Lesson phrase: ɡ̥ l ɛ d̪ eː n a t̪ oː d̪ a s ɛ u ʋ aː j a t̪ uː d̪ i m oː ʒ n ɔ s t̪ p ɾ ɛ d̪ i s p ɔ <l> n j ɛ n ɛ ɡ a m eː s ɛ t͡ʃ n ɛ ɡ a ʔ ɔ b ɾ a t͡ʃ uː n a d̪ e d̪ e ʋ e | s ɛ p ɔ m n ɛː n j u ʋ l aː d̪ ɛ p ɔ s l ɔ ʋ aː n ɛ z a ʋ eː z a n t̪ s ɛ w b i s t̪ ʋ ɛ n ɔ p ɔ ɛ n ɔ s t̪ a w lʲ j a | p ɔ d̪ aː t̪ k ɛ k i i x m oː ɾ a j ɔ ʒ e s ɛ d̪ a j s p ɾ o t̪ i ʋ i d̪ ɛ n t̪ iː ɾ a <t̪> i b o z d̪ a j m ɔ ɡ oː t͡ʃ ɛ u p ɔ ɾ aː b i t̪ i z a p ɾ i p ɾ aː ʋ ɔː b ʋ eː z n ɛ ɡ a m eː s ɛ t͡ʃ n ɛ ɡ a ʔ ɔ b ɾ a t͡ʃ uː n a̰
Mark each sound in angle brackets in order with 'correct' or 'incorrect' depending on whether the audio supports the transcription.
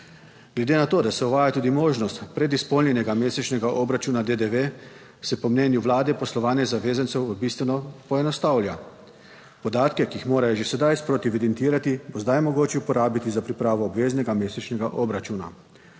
correct, correct

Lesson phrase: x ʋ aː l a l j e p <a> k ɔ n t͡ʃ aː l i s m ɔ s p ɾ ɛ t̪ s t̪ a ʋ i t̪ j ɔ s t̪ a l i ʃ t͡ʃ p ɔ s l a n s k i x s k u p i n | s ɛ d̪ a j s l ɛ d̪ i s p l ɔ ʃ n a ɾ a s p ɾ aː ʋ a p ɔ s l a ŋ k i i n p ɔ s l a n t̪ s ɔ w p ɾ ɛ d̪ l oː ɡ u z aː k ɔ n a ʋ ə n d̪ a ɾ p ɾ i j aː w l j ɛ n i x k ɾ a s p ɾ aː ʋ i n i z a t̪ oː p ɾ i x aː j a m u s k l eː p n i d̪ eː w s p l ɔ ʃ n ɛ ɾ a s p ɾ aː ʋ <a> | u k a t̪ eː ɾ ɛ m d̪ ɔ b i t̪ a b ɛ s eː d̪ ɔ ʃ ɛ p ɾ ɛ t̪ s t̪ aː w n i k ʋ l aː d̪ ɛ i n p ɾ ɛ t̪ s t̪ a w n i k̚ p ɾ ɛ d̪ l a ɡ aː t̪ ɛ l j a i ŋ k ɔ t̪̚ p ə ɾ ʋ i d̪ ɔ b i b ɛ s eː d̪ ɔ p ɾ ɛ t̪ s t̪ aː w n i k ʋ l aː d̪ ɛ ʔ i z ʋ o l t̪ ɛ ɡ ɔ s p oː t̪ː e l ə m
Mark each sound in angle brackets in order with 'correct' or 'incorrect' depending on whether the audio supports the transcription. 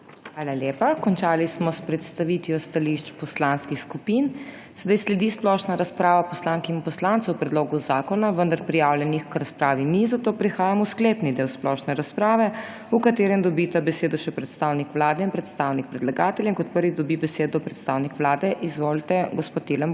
correct, incorrect: ɛ

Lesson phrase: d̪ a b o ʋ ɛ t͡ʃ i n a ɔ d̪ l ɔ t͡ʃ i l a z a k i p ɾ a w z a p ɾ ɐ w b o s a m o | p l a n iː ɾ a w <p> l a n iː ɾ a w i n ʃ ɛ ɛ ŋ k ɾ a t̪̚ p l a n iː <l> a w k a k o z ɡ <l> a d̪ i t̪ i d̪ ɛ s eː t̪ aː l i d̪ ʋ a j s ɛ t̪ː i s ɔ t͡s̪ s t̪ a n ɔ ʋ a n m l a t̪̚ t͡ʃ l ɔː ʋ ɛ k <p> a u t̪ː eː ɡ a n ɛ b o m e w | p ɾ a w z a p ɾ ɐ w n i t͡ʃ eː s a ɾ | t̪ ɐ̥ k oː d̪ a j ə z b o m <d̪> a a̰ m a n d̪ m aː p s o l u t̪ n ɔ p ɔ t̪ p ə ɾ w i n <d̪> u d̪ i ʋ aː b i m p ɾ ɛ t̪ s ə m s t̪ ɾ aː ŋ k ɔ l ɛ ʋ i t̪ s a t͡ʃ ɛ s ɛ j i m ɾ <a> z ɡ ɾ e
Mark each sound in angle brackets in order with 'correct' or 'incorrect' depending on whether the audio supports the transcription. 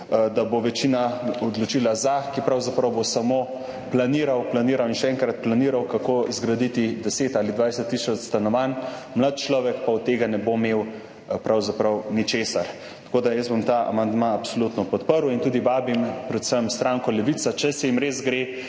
correct, incorrect: ɾ, incorrect: ɾ, correct, incorrect: t̪, incorrect: t̪, incorrect: e

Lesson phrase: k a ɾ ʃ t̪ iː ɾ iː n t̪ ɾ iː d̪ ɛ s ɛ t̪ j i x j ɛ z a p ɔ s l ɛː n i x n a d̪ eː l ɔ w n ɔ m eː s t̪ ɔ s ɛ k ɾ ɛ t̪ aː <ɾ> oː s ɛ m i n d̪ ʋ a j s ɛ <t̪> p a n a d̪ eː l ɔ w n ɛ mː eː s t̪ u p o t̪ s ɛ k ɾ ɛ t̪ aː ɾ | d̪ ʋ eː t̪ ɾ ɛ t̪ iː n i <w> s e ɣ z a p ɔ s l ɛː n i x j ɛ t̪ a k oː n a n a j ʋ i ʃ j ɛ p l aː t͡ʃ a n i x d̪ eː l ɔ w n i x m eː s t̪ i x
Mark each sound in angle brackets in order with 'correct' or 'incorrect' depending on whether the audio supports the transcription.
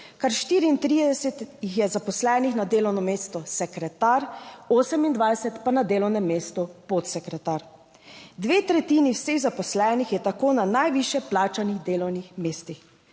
correct, correct, correct

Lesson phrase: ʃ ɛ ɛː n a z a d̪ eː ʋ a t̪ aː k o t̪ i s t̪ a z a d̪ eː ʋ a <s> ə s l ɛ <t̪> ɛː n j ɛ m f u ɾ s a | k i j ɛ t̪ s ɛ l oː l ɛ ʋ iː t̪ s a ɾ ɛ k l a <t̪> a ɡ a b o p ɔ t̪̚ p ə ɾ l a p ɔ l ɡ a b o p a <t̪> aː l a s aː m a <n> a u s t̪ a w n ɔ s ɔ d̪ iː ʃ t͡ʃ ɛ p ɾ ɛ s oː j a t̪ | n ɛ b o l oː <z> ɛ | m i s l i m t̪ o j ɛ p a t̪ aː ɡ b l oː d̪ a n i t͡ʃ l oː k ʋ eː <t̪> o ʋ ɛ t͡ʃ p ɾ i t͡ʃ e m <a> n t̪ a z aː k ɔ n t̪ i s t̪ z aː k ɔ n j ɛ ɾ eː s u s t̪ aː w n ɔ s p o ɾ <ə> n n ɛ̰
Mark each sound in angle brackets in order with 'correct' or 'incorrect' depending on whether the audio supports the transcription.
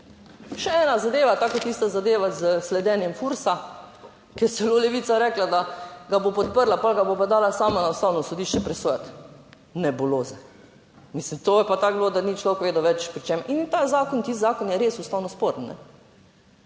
incorrect: z, incorrect: d̪, incorrect: d̪, incorrect: d̪, correct, correct, incorrect: d̪, incorrect: i, correct

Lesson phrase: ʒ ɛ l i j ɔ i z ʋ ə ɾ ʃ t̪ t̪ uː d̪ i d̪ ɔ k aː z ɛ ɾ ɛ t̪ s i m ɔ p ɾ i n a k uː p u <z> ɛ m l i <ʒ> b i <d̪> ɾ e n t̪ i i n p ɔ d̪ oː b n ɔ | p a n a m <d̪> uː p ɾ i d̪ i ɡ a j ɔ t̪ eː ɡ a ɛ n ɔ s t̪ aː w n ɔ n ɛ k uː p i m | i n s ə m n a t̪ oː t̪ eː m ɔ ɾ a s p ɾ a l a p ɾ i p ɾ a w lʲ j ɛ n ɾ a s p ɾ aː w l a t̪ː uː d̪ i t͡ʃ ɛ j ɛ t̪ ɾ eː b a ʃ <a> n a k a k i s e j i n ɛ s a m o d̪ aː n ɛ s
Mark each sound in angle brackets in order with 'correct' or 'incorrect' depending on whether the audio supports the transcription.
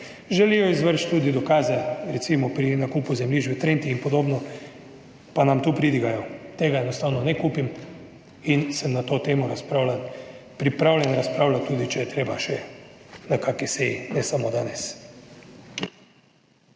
correct, correct, incorrect: t̪, incorrect: t̪, incorrect: ɛ

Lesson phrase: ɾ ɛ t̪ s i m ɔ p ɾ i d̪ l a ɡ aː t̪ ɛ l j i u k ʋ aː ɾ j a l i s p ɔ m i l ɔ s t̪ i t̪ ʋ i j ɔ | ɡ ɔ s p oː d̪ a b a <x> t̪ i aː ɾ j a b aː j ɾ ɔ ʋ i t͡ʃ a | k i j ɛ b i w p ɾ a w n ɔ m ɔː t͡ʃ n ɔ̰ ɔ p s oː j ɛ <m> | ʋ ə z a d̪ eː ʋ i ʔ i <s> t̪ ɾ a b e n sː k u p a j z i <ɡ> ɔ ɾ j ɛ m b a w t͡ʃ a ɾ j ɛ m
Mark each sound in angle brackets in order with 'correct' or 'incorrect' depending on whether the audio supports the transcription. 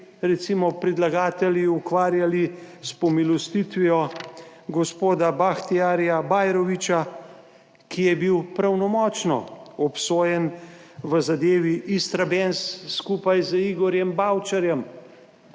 correct, incorrect: n, correct, correct

